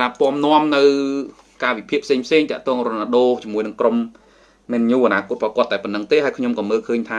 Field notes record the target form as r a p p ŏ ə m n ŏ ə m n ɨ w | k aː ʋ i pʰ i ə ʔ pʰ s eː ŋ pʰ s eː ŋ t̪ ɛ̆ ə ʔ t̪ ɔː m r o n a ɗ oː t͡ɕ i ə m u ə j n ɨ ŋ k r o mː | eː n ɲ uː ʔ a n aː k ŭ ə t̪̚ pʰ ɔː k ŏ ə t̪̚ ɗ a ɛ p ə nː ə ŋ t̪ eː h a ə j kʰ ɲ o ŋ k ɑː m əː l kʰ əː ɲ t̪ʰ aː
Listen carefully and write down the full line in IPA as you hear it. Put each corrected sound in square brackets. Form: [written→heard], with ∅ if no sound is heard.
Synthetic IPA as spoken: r a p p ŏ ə m n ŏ ə m n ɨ w | k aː ʋ i pʰ i ə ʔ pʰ s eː ŋ pʰ s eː ŋ t̪ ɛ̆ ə ʔ t̪ ɔː [m→ŋ] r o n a ɗ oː t͡ɕ i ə m u ə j n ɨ ŋ k r o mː | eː n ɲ uː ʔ a n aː k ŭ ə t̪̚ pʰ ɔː k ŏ ə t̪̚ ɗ a ɛ p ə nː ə ŋ t̪ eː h a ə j kʰ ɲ o [ŋ→m] k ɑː m əː l kʰ əː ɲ t̪ʰ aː